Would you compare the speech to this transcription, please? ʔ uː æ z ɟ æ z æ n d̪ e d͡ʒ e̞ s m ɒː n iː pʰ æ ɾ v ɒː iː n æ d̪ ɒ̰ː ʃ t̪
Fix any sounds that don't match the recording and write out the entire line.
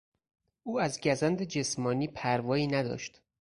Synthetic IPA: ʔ uː æ z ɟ æ z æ n d̪ e d͡ʒ e̞ s m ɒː n iː pʰ æ ɾ v ɒː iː n æ d̪ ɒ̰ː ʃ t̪